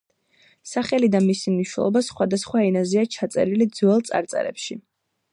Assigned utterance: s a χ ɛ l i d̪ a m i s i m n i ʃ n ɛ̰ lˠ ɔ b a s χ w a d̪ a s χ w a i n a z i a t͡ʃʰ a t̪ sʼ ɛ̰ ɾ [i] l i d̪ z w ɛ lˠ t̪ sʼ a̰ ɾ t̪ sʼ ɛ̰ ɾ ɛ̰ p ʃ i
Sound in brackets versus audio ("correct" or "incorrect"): correct